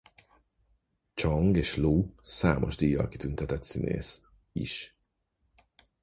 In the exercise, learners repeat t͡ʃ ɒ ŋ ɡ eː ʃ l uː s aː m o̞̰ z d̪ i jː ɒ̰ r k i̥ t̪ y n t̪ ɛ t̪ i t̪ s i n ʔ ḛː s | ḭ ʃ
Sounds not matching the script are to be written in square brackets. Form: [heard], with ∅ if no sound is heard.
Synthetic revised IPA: t͡ʃ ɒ ŋ ɡ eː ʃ l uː s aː m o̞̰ [ʒ] d̪ i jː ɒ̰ [l] k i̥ t̪ y n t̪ ɛ t̪ [ɛ] t̪ s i n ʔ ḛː s | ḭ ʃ